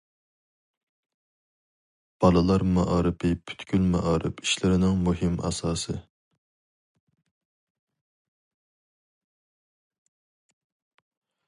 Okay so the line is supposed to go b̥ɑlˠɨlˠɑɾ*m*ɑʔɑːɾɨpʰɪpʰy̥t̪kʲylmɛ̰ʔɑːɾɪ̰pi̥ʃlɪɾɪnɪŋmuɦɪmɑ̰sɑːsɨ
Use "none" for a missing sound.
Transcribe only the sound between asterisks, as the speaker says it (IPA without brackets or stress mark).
m